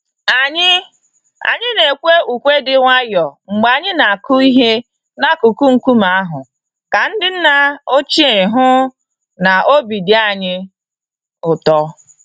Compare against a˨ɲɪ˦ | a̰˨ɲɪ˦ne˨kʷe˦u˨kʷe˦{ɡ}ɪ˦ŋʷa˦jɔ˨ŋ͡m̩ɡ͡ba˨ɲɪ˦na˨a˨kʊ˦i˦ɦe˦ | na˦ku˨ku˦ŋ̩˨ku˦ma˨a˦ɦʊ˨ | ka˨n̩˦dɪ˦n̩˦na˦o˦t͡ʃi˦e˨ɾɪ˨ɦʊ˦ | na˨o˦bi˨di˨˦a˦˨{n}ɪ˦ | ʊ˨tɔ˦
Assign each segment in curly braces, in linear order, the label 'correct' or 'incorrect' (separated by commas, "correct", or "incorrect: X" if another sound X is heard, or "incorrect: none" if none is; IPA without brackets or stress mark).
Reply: incorrect: d, incorrect: ɲ